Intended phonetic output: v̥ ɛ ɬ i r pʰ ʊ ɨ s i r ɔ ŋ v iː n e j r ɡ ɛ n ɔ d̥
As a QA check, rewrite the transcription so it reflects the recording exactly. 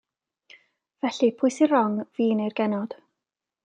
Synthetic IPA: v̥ ɛ ɬ i pʰ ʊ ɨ s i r ɔ ŋ v iː n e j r ɡ ɛ n ɔ d̥